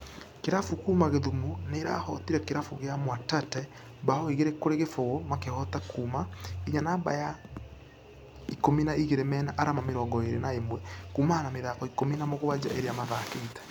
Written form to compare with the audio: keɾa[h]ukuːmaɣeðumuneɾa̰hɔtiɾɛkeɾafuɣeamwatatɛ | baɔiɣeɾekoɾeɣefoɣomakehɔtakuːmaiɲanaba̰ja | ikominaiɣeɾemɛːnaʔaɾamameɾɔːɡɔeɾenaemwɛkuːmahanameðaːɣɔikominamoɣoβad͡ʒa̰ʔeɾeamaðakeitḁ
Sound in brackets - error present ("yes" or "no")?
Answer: yes